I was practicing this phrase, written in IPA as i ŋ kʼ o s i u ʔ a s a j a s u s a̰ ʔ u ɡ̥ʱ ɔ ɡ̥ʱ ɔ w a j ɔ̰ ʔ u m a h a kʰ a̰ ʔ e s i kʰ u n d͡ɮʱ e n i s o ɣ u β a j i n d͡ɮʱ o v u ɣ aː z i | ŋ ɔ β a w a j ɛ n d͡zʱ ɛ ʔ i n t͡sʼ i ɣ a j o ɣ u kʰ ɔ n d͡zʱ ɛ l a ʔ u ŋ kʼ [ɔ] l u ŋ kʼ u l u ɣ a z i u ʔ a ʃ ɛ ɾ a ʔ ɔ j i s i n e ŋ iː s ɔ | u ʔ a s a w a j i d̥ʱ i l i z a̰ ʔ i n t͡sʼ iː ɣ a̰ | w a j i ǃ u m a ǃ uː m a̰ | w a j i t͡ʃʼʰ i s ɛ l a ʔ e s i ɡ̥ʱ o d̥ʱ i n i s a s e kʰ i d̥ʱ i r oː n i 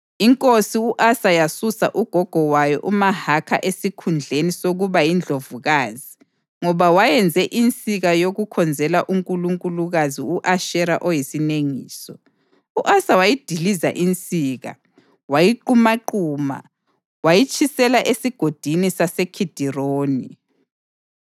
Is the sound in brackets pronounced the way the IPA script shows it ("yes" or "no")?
no